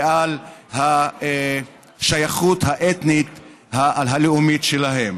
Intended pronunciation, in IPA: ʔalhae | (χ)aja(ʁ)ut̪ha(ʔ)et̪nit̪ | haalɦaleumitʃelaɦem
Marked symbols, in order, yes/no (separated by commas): no, no, yes